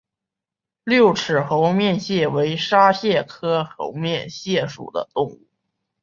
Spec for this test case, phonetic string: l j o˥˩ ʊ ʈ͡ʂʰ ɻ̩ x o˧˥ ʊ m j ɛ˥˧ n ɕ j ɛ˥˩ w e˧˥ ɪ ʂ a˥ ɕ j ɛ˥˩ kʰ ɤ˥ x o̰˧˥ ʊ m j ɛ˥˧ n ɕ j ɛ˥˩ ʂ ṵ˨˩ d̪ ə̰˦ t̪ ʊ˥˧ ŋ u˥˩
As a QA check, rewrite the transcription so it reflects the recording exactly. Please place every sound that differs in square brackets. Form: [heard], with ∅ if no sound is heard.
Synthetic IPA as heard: l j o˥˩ ʊ ʈ͡ʂʰ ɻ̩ x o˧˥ ʊ m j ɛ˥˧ n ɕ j ɛ˥˩ w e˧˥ ɪ ʂ a˥ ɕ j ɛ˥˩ kʰ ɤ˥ x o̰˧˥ ʊ m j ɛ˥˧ n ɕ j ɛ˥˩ ʂ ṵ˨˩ d̪ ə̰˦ t̪ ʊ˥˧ ŋ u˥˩